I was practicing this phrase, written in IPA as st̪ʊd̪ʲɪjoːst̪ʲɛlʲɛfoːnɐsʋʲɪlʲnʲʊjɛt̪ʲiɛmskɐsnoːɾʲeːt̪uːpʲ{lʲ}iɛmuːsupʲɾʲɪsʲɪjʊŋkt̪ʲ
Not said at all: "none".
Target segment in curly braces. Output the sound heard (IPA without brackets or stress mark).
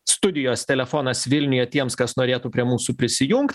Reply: ɾʲ